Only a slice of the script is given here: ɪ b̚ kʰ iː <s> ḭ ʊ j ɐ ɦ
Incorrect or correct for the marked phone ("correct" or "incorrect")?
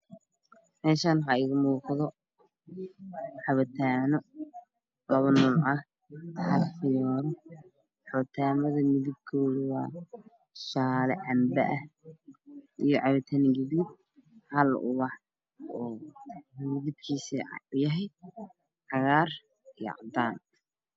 correct